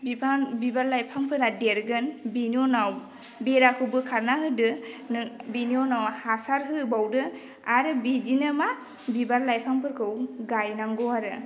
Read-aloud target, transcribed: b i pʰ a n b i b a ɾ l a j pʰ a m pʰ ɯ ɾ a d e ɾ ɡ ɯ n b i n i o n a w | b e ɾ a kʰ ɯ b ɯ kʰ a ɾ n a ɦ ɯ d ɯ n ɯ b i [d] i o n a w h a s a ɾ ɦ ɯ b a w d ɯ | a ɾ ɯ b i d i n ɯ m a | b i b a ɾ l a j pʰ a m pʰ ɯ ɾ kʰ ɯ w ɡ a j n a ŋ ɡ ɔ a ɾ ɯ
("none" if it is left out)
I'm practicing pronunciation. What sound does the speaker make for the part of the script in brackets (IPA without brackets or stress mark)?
n